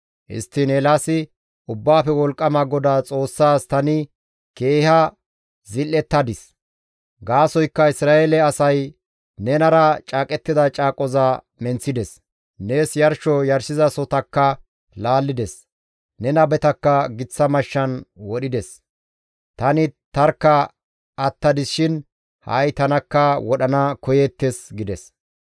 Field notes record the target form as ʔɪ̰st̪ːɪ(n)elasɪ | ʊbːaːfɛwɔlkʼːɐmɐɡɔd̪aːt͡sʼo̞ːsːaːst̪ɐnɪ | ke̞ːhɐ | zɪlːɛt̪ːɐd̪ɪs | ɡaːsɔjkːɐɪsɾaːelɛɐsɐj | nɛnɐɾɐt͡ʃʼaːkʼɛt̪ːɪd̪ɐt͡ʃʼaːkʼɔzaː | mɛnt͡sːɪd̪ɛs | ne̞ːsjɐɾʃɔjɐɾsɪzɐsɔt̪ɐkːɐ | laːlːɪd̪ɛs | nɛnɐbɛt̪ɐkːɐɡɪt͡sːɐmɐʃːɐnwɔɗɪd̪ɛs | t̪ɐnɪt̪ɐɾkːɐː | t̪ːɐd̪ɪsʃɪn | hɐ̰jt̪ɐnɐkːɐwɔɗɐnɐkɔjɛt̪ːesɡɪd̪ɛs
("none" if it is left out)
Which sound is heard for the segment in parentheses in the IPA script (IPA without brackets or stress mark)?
n